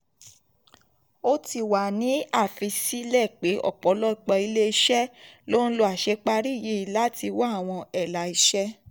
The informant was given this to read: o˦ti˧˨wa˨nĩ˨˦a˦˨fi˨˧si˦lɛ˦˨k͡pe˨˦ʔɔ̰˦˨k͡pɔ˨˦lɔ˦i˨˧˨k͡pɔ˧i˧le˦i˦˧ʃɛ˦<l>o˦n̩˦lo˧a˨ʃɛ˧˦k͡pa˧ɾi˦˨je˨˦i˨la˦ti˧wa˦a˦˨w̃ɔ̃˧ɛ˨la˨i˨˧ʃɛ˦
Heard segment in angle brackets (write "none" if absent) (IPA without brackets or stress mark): l